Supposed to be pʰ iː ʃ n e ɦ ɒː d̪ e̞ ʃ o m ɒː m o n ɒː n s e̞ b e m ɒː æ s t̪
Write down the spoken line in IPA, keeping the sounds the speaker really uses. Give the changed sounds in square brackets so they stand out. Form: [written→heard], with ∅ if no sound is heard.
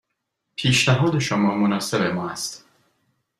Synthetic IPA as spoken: pʰ iː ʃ n [e→æ] ɦ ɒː d̪ e̞ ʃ o m ɒː m o n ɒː [n→∅] s e̞ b e m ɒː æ s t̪